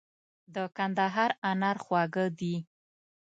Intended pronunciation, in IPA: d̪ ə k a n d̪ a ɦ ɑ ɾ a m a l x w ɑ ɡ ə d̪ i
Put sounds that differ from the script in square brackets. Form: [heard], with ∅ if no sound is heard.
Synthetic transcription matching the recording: d̪ ə k a n d̪ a ɦ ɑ ɾ a [n] a [ɾ] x w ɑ ɡ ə d̪ i